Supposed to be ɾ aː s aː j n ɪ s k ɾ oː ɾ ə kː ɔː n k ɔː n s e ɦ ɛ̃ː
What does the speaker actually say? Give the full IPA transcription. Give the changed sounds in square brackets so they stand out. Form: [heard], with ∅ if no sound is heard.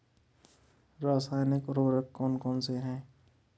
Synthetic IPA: ɾ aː s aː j n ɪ [∅] k ɾ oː ɾ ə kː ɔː n k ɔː n s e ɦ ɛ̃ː